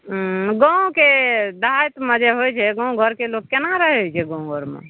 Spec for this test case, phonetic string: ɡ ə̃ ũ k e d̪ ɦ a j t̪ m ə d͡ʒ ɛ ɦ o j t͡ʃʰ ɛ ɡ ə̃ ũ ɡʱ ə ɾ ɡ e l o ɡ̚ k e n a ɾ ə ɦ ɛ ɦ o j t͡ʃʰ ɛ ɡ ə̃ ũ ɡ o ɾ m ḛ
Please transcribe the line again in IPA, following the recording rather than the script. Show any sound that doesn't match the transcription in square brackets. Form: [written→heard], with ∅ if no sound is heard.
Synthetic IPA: ɡ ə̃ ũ k e d̪ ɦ a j t̪ m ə d͡ʒ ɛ ɦ o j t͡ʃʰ ɛ ɡ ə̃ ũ ɡʱ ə ɾ [ɡ→k] e l o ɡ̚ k e n a ɾ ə ɦ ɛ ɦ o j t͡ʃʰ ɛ ɡ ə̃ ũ ɡ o ɾ m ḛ